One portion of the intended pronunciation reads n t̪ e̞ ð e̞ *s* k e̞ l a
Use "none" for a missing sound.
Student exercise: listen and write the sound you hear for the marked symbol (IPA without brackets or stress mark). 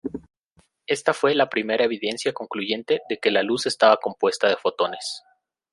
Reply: none